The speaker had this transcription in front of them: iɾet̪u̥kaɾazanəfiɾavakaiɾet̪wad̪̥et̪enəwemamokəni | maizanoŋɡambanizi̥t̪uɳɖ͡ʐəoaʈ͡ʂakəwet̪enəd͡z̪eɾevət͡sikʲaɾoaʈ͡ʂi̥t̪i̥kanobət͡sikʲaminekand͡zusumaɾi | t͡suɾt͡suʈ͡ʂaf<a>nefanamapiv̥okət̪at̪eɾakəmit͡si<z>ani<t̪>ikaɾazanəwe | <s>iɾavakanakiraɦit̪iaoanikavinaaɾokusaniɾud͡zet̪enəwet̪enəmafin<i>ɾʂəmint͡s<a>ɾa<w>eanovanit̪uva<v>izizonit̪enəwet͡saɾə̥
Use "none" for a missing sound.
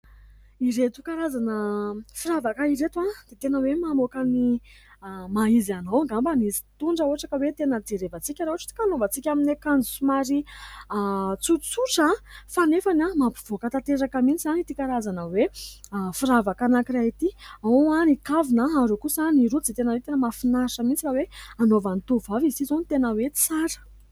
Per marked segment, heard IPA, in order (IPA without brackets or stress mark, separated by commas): a, z, t̪, f, a, i, w, v